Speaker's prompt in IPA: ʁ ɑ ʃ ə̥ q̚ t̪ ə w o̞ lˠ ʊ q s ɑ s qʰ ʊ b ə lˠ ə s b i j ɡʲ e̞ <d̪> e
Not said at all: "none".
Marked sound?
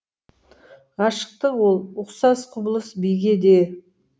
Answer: d̪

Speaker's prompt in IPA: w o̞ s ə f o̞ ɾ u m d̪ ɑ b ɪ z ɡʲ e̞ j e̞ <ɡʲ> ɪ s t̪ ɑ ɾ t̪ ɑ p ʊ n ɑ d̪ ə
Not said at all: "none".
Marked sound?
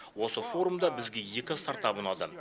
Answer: kʲ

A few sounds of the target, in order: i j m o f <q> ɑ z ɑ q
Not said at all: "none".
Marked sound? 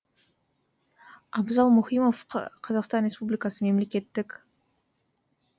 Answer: qʰ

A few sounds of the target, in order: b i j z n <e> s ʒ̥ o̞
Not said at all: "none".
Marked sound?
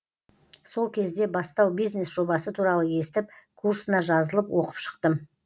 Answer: e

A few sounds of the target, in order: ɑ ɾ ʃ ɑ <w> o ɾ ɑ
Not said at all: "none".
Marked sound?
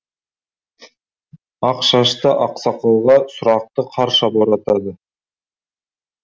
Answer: b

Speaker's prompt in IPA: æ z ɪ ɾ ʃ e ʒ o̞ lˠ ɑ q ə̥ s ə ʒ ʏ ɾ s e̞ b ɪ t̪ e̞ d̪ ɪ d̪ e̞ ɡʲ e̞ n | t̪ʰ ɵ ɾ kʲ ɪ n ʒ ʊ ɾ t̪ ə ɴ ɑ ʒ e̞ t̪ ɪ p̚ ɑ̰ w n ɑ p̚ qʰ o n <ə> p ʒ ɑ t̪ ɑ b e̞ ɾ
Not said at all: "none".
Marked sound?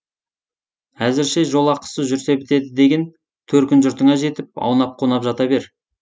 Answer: ɑ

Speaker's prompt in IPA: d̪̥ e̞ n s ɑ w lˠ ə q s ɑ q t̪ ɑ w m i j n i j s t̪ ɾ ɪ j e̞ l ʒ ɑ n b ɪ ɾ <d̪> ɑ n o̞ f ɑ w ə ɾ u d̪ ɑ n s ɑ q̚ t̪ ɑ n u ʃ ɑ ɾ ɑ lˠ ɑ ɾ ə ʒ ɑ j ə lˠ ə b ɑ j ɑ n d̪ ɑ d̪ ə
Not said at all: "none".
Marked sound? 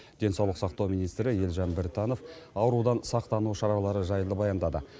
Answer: t̪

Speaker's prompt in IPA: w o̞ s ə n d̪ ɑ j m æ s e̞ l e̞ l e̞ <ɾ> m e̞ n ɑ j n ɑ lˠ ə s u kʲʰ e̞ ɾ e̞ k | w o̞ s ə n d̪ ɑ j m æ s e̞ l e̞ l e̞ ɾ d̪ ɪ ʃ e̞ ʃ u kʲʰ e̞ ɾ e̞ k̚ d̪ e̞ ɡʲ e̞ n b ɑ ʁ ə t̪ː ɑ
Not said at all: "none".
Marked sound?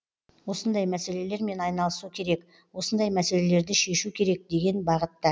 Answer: ɾ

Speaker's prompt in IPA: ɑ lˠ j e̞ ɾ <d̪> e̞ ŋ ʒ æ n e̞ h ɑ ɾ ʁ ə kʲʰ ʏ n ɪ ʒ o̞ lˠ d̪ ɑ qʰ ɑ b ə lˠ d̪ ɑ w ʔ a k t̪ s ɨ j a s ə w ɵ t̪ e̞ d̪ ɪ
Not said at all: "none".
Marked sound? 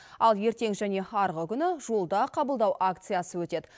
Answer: t̪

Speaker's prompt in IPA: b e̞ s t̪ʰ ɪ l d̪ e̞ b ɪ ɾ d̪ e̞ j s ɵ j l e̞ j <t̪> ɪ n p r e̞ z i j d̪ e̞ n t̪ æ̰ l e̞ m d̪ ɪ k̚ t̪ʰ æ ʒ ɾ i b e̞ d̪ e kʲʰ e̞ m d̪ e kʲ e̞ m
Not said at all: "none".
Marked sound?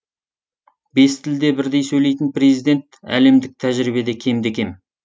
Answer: t̪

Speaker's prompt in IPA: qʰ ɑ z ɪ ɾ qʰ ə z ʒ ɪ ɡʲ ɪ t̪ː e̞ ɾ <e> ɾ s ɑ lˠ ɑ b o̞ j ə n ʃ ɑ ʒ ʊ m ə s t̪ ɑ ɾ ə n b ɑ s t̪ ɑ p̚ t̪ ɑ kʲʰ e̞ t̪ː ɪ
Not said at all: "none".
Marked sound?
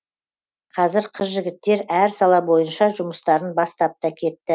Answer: æ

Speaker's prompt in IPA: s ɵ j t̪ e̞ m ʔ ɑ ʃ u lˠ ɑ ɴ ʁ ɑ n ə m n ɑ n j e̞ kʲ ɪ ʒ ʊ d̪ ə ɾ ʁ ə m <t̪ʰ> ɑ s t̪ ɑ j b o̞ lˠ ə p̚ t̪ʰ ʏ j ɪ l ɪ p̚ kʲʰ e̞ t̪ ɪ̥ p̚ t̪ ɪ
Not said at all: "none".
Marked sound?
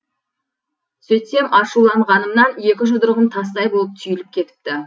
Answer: t̪ʰ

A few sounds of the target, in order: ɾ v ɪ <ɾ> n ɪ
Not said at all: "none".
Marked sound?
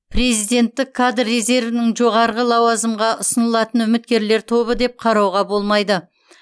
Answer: none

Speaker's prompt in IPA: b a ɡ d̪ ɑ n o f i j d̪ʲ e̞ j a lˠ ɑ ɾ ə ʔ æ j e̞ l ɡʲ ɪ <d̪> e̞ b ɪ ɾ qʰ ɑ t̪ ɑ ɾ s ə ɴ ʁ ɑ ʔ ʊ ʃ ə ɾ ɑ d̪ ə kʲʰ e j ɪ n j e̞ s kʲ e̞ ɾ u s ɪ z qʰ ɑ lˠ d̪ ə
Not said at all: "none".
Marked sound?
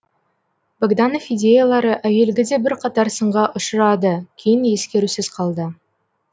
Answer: d̪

